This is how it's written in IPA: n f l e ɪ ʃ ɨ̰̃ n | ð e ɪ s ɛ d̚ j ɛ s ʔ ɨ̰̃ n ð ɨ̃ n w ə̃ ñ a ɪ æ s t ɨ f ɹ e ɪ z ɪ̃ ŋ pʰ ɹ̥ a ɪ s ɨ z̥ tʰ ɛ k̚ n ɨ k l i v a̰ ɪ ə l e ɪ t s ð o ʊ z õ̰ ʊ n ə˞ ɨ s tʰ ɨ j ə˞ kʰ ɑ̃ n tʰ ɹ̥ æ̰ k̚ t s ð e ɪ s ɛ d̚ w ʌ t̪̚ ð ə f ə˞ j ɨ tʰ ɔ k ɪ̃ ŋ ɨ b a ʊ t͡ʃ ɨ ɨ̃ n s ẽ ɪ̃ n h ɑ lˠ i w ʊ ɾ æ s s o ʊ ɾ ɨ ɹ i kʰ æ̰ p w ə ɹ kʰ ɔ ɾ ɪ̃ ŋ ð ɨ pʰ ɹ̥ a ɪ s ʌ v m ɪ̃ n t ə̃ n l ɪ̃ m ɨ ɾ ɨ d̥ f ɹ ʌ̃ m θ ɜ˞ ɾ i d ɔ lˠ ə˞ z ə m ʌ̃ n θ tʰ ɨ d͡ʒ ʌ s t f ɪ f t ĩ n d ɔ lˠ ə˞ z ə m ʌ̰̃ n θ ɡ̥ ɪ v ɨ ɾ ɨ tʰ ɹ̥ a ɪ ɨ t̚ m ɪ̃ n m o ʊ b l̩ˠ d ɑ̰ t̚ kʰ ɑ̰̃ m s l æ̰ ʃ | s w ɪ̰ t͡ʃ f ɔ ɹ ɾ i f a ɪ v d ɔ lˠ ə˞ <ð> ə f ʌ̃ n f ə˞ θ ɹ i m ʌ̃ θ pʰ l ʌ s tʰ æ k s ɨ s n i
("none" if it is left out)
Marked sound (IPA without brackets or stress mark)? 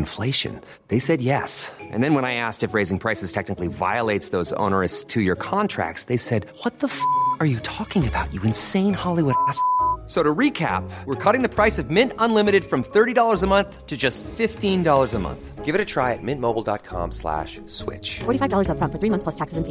z